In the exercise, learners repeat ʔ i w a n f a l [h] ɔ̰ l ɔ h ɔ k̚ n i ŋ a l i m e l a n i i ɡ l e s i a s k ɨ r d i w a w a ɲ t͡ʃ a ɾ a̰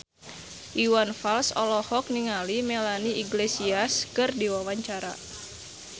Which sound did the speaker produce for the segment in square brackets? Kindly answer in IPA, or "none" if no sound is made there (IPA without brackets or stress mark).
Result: s